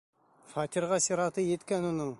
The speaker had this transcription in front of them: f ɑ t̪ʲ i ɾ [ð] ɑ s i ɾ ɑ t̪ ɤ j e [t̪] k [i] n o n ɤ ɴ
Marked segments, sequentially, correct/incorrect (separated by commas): incorrect, correct, incorrect